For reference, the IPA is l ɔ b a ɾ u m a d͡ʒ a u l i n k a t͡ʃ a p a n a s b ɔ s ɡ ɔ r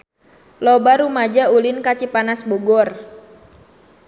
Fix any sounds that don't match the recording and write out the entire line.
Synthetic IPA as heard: l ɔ b a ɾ u m a d͡ʒ a u l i n k a t͡ʃ i p a n a s b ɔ ɡ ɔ r